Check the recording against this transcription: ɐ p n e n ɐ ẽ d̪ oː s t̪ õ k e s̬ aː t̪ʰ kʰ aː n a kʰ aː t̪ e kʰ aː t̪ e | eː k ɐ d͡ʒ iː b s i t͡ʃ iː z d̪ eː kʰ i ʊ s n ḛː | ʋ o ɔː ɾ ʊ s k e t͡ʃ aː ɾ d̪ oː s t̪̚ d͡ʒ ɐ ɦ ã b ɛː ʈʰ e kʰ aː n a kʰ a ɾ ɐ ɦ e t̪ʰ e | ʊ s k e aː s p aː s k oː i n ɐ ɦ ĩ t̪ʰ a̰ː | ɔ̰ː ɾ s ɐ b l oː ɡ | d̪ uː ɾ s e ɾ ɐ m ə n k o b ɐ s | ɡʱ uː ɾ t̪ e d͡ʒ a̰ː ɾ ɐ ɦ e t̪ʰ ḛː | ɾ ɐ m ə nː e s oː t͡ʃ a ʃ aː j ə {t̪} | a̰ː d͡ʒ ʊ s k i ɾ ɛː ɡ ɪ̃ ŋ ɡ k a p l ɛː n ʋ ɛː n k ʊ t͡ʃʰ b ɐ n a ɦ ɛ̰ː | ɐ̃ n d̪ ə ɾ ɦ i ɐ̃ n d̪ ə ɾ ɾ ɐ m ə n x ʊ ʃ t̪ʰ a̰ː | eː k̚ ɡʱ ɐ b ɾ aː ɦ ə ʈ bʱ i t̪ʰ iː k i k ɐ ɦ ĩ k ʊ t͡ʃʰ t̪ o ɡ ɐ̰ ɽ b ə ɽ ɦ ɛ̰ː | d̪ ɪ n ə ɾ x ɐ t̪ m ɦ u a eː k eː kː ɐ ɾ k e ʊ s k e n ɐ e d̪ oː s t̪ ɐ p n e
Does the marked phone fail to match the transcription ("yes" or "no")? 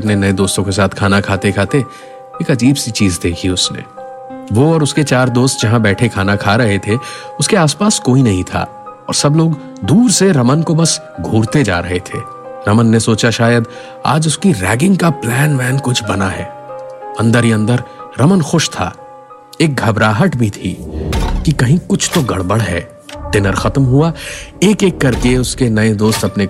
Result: yes